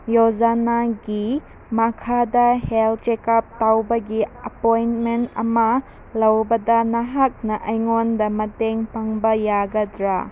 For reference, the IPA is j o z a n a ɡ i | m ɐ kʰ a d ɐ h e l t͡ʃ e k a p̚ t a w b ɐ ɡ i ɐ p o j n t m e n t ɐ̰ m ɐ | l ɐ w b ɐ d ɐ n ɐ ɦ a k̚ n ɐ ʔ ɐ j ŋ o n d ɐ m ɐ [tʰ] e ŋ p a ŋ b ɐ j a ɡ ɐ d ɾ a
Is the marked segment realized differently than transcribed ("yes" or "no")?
yes